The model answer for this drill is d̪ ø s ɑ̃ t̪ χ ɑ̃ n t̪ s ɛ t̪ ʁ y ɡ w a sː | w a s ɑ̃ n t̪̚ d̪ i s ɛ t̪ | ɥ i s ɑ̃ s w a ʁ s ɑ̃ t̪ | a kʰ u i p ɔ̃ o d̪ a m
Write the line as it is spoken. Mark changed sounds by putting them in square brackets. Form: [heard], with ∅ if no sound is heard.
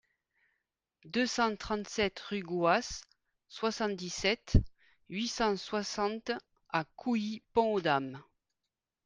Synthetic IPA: d̪ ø s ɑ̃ t̪ χ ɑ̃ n t̪ s ɛ t̪ ʁ y ɡ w a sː | w a s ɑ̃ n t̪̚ d̪ i s ɛ t̪ | ɥ i s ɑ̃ s w a [∅] s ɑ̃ t̪ | a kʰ u i p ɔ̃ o d̪ a m